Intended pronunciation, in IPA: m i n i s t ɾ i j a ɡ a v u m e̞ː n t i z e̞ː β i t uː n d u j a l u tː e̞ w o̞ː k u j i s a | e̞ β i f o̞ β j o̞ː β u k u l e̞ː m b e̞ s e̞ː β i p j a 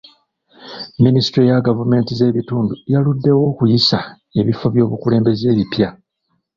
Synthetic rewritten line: m i n i s t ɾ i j a ɡ a v u m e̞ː n t i z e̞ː β i t uː n d u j a l u dː e̞ w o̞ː k u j i s a | e̞ β i f o̞ β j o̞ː β u k u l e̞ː m b e̞ z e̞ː β i p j a